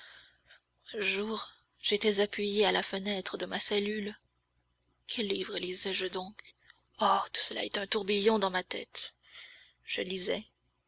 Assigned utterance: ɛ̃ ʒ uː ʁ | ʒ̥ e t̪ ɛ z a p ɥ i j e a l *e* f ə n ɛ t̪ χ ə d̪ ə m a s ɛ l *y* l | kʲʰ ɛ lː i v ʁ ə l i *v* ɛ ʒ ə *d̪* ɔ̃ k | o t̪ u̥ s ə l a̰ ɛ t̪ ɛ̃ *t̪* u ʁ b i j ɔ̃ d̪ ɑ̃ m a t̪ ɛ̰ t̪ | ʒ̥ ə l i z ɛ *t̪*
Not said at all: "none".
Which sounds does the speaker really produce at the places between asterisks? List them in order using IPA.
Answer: a, y, z, d̪, t̪, none

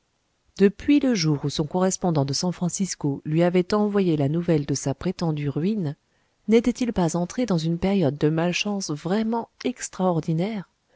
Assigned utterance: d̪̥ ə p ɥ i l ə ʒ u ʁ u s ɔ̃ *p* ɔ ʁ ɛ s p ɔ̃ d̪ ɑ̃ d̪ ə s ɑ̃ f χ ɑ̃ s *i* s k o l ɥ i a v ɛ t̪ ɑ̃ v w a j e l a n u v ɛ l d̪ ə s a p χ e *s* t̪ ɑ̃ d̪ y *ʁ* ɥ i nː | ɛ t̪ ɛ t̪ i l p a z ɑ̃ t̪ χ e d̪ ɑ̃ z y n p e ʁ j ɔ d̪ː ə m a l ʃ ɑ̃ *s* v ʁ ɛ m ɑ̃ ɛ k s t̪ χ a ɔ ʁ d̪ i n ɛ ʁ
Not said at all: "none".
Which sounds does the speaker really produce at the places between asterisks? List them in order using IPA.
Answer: k, i, none, ʁ, s

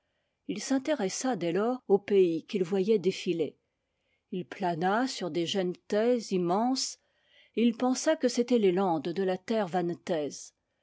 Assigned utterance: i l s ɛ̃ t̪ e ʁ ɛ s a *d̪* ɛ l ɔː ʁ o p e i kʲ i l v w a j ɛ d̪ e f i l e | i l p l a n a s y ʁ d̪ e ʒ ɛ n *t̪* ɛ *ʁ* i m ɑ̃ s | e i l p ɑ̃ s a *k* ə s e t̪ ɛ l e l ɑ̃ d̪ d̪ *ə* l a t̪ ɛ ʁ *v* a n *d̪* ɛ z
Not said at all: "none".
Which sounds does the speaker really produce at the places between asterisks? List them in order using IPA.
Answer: d̪, t̪, z, k, ə, v, t̪

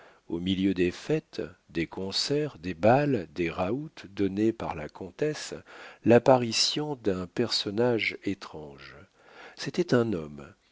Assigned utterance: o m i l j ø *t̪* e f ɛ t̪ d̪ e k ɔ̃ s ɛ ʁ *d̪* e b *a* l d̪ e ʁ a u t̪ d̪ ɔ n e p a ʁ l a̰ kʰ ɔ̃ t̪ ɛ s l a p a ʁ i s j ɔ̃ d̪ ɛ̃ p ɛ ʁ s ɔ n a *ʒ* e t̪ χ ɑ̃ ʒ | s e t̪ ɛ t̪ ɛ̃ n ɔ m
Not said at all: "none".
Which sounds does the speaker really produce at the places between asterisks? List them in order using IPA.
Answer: d̪, d̪, a, ʒ

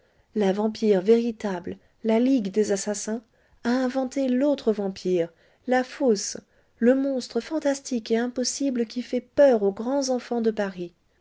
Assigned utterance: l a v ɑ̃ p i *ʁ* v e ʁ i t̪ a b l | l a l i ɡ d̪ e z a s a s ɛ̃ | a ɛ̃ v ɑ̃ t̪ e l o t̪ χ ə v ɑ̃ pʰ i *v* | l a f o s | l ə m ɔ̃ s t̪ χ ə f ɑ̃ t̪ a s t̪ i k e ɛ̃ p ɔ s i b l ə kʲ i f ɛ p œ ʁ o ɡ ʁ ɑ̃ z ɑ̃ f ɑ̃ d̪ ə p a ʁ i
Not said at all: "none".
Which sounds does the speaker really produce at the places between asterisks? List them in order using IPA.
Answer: ʁ, ʁ

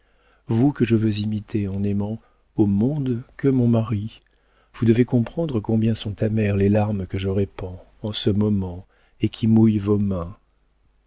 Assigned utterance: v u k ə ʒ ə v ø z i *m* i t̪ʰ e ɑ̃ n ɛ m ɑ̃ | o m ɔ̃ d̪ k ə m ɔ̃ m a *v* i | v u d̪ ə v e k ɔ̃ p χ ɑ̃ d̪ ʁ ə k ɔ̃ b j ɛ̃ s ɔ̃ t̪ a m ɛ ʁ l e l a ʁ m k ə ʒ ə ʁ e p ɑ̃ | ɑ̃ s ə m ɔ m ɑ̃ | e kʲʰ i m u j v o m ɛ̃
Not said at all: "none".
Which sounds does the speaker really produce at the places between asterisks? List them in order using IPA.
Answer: m, ʁ

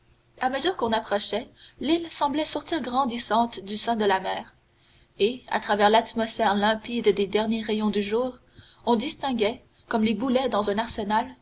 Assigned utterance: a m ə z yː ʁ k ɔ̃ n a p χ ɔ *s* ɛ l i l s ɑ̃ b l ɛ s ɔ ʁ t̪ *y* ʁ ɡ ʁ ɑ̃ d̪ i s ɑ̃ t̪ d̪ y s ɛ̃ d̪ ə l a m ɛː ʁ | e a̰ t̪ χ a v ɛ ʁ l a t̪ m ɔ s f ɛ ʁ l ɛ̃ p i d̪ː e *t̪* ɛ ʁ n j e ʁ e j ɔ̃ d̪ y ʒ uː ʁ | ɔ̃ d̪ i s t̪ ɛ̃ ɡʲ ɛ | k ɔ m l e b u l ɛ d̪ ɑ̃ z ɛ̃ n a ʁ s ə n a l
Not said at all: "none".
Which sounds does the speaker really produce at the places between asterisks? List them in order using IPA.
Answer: ʃ, i, d̪

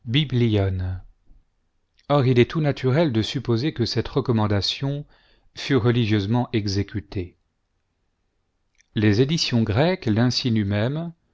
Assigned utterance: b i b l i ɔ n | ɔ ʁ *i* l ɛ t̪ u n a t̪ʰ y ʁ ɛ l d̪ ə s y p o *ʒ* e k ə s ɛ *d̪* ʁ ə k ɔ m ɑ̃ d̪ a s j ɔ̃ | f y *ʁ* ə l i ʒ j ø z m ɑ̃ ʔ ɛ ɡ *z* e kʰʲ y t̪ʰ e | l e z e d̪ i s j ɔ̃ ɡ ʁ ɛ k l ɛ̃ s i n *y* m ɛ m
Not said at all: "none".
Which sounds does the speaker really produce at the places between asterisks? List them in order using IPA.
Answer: i, z, t̪, ʁ, z, y

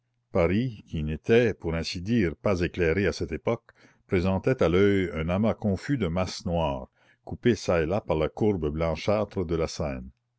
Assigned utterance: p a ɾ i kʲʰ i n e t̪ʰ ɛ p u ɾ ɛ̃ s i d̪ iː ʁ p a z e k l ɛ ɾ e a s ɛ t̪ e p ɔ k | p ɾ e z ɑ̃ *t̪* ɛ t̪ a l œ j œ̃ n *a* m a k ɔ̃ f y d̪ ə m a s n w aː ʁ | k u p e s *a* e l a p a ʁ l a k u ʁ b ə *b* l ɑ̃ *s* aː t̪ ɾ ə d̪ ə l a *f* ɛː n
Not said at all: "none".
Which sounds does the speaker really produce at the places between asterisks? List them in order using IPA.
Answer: t̪, a, a, b, ʃ, s

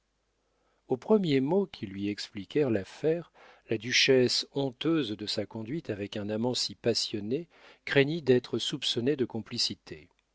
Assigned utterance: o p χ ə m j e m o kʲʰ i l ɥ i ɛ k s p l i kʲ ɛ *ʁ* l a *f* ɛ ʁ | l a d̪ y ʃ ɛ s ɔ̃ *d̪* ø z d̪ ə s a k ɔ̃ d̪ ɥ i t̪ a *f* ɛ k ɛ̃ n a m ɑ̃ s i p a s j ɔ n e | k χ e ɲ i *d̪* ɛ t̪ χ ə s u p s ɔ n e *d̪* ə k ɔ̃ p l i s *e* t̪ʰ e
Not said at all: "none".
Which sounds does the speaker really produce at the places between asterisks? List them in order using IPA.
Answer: ʁ, f, t̪, v, d̪, d̪, i

